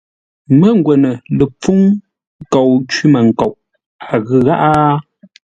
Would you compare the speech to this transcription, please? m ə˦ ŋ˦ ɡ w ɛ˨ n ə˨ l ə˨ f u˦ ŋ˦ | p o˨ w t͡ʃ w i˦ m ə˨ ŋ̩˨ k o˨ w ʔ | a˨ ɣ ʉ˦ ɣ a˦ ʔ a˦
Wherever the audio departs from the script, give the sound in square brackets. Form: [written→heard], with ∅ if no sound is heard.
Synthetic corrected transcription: m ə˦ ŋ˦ ɡ w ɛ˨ n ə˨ l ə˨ [f→p͡f] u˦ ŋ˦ | [p→k] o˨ w t͡ʃ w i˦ m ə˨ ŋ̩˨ k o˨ w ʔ | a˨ ɣ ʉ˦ ɣ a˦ ʔ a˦

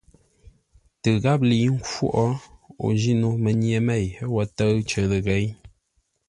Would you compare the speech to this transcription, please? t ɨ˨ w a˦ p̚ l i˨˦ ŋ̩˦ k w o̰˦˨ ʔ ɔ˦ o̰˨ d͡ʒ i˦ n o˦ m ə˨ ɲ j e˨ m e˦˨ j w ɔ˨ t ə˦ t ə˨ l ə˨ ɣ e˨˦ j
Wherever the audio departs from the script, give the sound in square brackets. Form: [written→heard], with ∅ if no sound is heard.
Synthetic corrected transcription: t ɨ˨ [w→ɣ] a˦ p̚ l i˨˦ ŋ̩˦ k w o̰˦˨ ʔ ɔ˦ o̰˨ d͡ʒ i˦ n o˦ m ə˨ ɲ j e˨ m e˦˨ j w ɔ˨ t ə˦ [t→t͡ʃ] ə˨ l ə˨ ɣ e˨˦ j

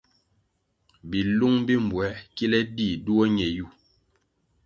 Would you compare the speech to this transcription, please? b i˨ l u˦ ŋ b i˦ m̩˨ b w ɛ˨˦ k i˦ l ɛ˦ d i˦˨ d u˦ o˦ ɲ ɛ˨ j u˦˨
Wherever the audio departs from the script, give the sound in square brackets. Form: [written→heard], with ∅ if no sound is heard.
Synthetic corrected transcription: b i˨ l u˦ ŋ b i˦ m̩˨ b w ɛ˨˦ k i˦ l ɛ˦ d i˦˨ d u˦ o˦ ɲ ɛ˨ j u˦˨

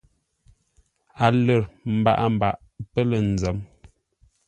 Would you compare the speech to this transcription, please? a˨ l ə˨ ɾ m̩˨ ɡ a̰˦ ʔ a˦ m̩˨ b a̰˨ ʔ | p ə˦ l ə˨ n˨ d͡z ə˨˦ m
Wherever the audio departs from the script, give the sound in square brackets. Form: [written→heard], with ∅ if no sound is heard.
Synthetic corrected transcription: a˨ l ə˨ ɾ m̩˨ [ɡ→b] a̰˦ ʔ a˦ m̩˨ b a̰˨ ʔ | p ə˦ l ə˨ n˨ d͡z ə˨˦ m

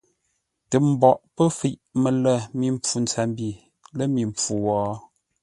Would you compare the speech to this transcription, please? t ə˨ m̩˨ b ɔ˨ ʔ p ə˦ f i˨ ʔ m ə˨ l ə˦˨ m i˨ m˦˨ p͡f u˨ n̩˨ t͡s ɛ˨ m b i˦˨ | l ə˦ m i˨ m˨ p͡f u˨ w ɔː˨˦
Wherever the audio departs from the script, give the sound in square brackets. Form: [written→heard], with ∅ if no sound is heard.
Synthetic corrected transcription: t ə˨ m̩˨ b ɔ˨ ʔ p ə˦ f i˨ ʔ m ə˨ l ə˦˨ m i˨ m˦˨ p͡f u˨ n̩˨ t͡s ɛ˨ m b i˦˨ | l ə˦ m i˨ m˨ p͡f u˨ w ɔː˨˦

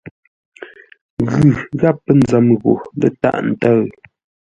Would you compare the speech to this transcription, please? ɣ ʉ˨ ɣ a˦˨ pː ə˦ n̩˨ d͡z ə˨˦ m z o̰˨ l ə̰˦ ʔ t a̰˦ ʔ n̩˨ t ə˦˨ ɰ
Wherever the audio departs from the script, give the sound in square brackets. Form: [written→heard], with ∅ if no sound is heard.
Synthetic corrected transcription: ɣ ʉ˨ ɣ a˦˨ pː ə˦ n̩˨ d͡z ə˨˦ m [z→ɣ] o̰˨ l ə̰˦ [ʔ→∅] t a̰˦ ʔ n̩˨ t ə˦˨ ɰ

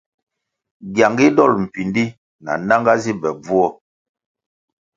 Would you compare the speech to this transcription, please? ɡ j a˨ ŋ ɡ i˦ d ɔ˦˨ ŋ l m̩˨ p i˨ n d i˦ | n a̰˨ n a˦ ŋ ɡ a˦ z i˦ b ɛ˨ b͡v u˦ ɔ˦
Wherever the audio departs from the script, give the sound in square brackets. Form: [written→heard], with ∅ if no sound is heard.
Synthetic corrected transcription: ɡ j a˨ ŋ ɡ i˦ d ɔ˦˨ [ŋ→∅] l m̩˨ p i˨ n d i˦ | n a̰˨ n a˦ ŋ ɡ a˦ z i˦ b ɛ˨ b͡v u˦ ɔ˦

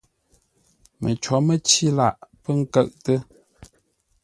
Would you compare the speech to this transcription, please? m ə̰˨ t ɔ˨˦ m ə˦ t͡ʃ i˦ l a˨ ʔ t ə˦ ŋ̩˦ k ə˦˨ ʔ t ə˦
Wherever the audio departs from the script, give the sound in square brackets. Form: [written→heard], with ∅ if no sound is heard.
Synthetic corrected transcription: m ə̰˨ [t→t͡ʃ] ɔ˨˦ m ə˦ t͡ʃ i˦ l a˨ ʔ [t→p] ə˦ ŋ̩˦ k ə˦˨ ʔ t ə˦

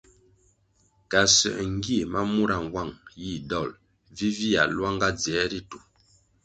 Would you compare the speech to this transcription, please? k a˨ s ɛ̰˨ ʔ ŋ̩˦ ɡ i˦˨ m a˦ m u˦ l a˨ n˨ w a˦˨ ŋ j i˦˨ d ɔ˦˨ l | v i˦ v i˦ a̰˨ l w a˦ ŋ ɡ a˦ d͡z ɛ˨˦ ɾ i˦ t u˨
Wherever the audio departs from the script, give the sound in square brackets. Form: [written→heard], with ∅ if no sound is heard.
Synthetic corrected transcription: k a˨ s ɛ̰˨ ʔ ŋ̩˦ ɡ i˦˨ m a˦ m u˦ [l→ɾ] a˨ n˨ w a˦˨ ŋ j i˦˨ d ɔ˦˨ l | v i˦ v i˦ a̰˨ l w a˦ ŋ ɡ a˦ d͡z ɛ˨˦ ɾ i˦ t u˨

